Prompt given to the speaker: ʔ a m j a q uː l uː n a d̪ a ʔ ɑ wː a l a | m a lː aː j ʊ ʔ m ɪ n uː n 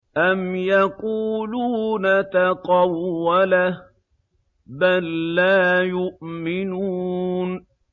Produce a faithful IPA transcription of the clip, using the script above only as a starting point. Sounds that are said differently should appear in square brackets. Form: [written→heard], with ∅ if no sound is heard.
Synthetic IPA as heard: ʔ a m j a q uː l uː n a [d̪→t̪] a [ʔ→q] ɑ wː a l a | [m→b] a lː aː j ʊ ʔ m ɪ n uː n